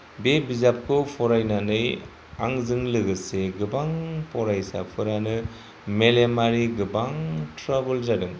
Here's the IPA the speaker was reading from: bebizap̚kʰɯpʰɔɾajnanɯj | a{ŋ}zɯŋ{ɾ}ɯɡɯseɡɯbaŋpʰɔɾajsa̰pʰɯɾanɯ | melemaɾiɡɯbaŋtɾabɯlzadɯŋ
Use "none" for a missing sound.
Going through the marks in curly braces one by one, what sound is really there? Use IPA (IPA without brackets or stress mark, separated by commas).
ŋ, l